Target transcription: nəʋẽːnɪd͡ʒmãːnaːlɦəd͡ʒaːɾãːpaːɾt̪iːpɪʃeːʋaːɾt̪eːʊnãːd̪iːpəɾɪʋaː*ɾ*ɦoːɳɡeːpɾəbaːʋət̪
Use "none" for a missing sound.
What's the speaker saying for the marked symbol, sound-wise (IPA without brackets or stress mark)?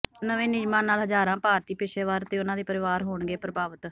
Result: ɾ